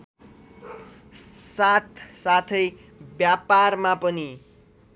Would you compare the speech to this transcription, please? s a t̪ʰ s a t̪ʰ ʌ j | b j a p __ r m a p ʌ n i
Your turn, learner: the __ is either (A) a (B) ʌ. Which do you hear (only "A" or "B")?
A